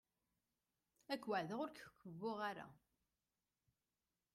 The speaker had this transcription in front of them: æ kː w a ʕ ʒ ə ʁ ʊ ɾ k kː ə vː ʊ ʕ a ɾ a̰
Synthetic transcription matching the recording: æ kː w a ʕ ð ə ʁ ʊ ɾ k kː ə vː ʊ ʁ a ɾ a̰